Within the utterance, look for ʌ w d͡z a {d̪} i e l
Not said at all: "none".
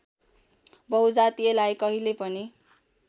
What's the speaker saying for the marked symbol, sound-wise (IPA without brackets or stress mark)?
t̪